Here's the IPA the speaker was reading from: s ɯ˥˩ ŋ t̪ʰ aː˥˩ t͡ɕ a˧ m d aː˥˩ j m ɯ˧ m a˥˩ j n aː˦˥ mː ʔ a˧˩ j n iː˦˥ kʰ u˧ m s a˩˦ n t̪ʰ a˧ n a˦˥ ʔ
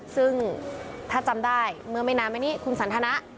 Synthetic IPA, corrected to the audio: s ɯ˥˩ ŋ t̪ʰ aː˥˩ t͡ɕ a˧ m d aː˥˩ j m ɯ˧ m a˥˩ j n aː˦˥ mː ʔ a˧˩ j n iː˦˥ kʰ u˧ n s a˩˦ n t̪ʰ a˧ n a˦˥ ʔ